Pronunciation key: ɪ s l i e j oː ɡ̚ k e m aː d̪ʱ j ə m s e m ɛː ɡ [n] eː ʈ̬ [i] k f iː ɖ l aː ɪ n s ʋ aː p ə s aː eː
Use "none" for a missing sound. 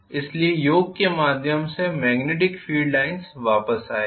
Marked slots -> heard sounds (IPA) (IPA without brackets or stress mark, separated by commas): n, ɪ